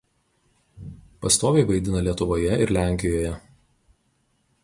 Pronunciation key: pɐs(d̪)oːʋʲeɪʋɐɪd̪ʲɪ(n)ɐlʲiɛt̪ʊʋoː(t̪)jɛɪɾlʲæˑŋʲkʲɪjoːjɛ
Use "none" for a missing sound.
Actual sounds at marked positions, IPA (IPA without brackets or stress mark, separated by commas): t̪, n, none